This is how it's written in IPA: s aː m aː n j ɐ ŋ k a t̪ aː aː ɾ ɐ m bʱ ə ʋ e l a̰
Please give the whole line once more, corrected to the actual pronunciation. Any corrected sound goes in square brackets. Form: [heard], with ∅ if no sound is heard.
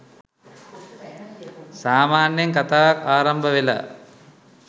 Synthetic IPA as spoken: s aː m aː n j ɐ ŋ k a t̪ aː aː ɾ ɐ m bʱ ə ʋ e l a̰